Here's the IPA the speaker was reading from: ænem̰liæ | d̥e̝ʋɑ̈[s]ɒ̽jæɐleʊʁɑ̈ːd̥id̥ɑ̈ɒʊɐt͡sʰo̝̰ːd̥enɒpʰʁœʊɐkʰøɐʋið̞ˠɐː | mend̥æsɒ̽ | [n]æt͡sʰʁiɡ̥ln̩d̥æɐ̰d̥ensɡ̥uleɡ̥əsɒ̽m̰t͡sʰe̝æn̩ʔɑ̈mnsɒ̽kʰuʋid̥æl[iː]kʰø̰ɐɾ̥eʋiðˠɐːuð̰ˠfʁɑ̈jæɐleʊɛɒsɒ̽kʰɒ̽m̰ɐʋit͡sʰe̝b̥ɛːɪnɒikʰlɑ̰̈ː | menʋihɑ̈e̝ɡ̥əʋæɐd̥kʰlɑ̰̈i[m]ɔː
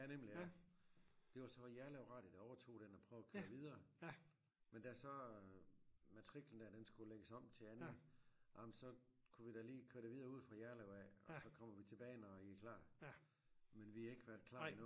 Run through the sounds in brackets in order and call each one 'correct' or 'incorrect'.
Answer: correct, incorrect, correct, incorrect

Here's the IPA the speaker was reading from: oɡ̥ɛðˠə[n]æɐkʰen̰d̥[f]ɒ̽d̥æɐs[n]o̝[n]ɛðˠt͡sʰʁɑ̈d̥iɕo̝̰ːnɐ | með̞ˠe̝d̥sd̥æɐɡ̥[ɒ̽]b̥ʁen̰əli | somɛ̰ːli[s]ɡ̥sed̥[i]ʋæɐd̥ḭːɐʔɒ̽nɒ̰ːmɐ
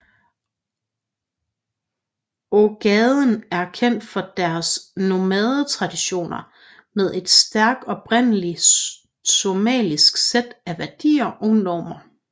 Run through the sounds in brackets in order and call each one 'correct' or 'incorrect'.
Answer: correct, correct, correct, incorrect, correct, correct, incorrect

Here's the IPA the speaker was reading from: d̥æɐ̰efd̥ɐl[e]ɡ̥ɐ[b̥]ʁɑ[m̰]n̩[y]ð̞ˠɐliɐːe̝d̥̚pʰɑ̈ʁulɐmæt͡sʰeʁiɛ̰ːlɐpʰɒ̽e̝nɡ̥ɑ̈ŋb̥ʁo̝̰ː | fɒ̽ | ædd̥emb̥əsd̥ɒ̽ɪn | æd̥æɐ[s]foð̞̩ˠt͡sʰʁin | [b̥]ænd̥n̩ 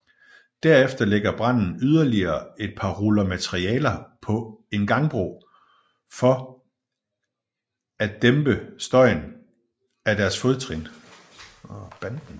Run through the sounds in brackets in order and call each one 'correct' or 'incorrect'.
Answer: correct, correct, incorrect, correct, correct, correct

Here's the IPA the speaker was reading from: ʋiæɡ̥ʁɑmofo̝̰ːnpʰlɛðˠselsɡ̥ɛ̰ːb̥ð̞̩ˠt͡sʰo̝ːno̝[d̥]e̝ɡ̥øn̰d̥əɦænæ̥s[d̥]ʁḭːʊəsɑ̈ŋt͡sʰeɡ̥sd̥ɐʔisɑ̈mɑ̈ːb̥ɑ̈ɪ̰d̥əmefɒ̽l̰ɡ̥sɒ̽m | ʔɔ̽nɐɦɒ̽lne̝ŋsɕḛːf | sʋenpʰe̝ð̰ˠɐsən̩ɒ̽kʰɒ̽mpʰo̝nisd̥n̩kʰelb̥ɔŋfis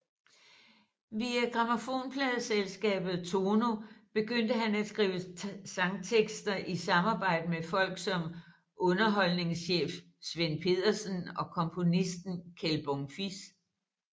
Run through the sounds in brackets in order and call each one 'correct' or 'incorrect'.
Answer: incorrect, incorrect

